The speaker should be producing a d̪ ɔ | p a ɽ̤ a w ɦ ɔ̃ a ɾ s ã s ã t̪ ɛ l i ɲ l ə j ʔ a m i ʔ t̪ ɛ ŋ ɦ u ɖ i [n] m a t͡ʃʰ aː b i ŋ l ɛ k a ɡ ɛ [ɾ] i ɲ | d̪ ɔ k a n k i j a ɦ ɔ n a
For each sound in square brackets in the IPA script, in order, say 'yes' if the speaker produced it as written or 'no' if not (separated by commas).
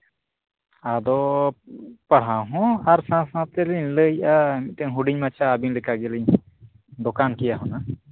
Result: no, no